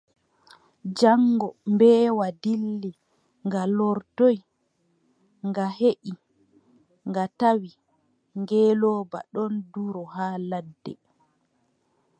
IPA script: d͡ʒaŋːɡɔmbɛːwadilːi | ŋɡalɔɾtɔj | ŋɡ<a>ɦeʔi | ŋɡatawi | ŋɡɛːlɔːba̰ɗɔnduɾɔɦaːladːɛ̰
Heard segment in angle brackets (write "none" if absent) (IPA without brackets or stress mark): a